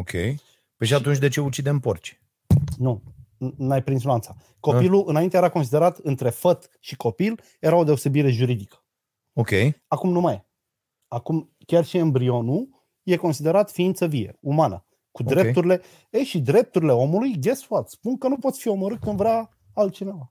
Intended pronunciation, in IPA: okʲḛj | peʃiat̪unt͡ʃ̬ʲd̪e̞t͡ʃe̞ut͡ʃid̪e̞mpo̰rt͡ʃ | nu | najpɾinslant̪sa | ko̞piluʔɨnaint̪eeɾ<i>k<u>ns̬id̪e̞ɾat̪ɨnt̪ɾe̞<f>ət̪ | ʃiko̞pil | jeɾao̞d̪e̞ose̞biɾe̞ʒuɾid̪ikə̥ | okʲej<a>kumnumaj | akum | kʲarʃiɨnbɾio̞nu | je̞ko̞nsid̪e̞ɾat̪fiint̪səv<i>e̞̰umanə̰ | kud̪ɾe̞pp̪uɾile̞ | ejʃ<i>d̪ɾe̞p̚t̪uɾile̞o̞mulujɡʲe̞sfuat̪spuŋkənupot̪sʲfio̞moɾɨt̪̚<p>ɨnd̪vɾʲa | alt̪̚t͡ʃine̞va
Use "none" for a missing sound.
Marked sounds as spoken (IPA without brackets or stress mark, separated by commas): a, o, f, a, i, i, k